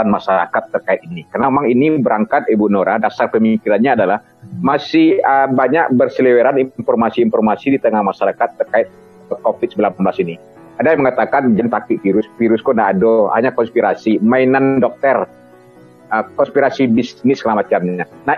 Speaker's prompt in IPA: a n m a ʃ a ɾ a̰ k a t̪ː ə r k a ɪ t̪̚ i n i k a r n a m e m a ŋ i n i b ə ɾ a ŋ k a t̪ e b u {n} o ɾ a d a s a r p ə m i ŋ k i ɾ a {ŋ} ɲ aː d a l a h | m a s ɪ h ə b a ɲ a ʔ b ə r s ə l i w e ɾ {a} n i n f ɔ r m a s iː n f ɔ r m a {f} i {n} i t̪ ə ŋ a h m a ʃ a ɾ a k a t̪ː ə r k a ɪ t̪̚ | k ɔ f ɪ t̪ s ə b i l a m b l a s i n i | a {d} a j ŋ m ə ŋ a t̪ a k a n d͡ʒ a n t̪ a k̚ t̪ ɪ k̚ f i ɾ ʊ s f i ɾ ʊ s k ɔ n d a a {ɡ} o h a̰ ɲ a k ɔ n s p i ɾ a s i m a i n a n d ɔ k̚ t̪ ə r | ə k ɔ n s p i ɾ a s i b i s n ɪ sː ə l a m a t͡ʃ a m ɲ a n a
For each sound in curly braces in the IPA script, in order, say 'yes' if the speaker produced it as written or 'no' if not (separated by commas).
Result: yes, no, yes, no, no, yes, no